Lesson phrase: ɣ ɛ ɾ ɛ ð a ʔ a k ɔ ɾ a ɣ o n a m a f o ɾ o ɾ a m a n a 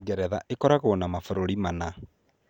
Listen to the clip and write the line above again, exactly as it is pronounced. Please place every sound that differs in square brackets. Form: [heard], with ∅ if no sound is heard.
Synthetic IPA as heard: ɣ ɛ ɾ ɛ ð a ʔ [e] k ɔ ɾ a ɣ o n a m a f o ɾ o ɾ [i] m a n a